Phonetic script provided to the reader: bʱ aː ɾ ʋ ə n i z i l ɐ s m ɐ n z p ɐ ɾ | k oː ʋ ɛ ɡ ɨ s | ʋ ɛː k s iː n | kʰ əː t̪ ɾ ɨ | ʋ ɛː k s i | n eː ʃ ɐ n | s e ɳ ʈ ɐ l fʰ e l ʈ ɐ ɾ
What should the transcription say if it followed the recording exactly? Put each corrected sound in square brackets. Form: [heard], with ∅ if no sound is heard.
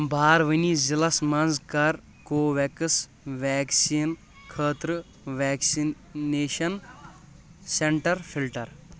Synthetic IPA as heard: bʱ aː ɾ ʋ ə n i z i l ɐ s m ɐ n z [k] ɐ ɾ | k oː ʋ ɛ [k] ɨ s | ʋ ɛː k s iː n | kʰ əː t̪ ɾ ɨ | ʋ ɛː k s i | n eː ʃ ɐ n | s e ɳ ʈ ɐ [ɾ] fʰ [i] l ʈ ɐ ɾ